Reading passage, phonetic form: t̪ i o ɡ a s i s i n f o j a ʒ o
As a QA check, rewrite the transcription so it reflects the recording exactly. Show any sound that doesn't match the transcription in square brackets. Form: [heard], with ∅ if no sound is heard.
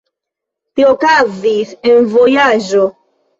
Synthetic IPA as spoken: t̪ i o [k] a [z] i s [e] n [v] o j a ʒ o

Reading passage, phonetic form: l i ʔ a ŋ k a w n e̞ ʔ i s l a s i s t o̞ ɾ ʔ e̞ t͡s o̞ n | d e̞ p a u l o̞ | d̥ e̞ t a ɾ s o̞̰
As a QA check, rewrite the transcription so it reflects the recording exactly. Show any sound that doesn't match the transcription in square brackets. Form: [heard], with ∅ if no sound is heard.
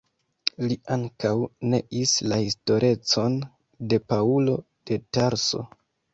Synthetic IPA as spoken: l i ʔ a ŋ k a w n e̞ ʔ i s l a [h] i s t o̞ ɾ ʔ e̞ t͡s o̞ n | d e̞ p a u l o̞ | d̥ e̞ t a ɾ s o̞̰

